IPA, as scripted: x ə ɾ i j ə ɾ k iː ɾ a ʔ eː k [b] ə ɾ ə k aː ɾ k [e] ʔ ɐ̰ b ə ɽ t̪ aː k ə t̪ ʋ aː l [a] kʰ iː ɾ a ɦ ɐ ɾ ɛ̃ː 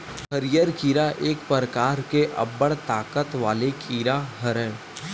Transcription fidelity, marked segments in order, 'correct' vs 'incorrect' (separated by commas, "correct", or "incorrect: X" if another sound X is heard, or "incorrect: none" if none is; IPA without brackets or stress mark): incorrect: p, correct, incorrect: e